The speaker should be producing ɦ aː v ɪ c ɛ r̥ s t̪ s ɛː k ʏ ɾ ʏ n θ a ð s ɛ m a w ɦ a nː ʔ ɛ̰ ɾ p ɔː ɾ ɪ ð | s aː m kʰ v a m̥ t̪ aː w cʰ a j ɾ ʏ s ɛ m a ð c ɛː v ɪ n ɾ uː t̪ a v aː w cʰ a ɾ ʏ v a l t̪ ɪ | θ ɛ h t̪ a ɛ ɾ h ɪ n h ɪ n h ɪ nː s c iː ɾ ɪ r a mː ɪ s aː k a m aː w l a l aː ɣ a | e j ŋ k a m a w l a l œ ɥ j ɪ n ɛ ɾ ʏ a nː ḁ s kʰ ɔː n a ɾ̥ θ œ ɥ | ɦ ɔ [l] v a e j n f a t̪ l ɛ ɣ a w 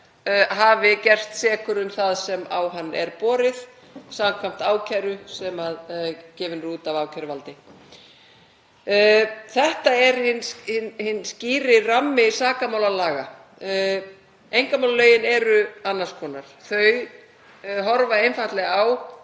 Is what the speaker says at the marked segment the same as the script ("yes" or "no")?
no